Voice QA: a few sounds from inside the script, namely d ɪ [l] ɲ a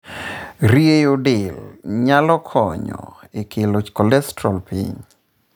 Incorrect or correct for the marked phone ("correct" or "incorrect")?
correct